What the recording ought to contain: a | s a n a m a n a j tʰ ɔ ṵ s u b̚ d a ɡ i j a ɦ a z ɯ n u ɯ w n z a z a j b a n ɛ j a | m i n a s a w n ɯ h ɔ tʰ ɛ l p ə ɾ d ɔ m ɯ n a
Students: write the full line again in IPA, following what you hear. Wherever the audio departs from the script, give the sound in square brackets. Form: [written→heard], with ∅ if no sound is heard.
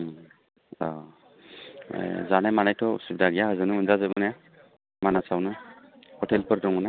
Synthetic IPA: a | [s→z] a n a m a n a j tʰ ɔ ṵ s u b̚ d a ɡ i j a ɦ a z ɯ n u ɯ [w→∅] n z a z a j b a n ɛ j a | m [i→a] n a s a w n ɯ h ɔ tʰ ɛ l p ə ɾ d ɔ [m→ŋ] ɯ n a